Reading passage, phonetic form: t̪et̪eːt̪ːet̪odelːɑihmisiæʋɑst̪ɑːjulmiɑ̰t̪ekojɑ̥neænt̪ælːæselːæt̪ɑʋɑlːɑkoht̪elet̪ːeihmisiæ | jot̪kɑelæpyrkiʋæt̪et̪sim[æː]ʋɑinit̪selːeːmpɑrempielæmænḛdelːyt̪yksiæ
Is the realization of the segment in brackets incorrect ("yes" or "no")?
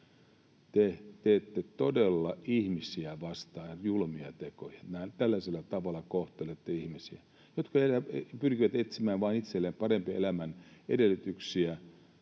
no